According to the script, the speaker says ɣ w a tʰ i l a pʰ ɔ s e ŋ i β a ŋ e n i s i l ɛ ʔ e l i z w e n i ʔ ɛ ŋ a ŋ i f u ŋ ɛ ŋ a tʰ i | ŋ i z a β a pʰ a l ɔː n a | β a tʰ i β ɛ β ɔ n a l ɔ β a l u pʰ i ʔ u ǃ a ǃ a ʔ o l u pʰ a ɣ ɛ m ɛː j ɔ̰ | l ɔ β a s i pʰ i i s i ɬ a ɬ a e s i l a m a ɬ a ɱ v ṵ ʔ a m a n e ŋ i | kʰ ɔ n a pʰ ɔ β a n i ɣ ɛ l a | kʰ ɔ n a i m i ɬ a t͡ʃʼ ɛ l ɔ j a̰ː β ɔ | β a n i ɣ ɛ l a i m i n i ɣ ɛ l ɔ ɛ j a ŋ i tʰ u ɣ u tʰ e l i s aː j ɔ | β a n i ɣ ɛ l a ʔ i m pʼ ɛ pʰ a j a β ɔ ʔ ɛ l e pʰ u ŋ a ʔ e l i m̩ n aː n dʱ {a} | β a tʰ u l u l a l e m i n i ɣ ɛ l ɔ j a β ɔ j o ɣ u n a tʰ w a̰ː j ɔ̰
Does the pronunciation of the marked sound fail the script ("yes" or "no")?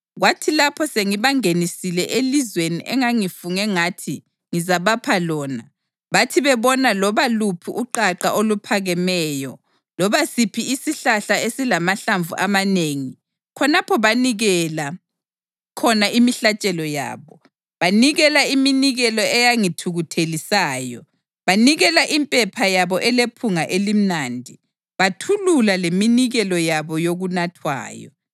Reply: yes